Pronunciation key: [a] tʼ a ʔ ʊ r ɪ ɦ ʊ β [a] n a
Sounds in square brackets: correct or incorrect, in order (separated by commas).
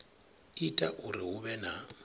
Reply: incorrect, incorrect